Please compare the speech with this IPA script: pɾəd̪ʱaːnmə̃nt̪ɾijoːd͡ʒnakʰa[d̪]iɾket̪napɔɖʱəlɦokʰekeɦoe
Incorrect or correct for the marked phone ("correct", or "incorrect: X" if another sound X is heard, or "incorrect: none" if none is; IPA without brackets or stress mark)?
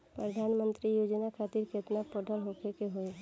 incorrect: t̪